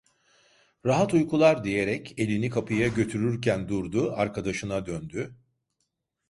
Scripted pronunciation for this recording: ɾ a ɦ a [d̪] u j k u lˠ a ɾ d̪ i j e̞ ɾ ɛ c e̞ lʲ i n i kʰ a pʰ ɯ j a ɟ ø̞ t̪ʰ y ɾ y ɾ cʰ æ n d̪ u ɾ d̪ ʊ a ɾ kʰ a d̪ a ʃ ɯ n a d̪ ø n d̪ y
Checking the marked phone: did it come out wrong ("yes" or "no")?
yes